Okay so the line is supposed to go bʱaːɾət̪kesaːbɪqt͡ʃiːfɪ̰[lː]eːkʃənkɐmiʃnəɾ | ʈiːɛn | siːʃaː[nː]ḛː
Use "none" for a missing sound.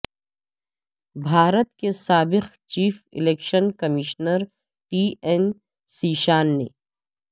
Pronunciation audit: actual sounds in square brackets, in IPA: l, nː

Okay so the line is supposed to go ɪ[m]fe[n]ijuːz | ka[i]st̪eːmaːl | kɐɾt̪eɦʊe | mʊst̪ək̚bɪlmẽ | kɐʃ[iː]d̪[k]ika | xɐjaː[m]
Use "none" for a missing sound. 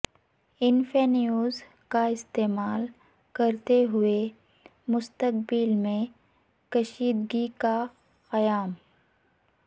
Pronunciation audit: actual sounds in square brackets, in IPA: n, n, ɪ, iː, ɡ, m

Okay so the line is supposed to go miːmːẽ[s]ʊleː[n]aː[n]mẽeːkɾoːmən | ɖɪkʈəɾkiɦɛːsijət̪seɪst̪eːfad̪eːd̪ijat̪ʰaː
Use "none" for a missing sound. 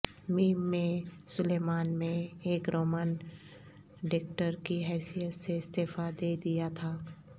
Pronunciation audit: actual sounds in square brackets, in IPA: s, m, n

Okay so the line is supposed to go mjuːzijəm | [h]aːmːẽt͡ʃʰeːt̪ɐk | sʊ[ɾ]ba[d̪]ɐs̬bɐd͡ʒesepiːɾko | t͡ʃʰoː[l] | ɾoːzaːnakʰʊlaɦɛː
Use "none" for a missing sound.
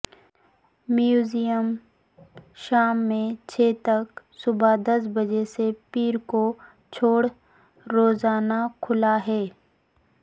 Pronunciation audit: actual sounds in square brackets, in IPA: ʃ, none, d̪, ɽ

